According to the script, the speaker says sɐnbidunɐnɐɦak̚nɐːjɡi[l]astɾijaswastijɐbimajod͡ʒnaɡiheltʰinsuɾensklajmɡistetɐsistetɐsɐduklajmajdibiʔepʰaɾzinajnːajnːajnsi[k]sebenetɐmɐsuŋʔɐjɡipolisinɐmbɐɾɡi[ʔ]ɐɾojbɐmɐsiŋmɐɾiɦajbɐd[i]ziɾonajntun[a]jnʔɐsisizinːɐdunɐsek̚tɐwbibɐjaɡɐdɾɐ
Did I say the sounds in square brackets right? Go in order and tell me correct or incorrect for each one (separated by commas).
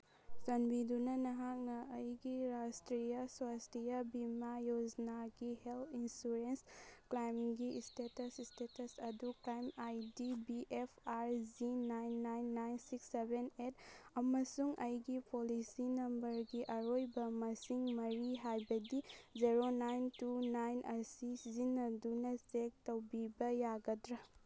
incorrect, correct, correct, correct, correct